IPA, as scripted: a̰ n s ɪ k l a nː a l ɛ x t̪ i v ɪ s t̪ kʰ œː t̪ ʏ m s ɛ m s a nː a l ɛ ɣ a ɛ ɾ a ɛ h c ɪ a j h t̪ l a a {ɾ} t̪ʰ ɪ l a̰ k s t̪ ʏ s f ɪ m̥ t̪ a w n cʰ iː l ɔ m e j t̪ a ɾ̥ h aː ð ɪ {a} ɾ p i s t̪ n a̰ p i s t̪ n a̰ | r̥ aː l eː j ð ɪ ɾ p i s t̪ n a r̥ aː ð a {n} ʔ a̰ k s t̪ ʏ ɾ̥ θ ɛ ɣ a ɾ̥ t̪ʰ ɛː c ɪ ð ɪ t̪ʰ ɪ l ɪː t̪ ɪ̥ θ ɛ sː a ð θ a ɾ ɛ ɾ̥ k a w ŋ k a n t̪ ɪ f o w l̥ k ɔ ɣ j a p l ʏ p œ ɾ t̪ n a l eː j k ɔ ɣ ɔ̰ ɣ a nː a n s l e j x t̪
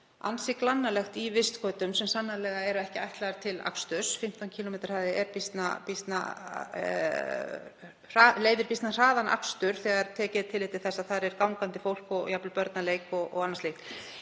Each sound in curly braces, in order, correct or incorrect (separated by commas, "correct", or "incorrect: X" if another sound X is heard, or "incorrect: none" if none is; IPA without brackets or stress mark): correct, incorrect: ɛ, correct